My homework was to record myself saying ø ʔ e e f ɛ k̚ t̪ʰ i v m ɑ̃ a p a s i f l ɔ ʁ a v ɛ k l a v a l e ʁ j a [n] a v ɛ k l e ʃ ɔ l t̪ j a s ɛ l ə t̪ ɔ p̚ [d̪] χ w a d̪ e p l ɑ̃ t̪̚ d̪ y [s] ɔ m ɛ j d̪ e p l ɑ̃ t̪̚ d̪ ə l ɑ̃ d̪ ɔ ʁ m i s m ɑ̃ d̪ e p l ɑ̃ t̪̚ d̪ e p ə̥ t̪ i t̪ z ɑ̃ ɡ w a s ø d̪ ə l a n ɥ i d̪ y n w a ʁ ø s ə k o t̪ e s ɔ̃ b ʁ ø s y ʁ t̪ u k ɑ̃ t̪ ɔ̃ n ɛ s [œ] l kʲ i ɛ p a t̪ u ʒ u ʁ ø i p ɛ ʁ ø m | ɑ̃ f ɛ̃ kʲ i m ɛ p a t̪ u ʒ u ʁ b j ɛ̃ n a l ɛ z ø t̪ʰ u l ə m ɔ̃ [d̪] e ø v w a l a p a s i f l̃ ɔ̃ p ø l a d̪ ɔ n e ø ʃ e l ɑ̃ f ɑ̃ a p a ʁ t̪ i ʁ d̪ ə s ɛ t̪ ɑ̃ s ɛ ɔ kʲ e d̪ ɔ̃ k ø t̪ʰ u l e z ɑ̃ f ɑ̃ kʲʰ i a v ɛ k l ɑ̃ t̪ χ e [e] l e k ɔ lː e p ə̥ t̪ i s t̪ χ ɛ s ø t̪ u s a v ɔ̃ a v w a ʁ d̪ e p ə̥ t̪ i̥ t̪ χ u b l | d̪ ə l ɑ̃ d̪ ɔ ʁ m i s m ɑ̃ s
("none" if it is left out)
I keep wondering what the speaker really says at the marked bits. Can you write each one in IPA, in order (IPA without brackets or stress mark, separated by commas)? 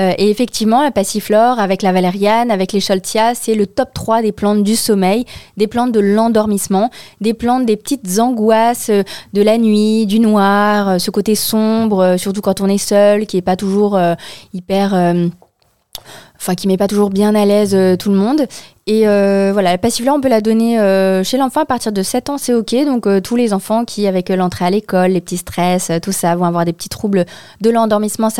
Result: n, t̪, s, œ, d̪, a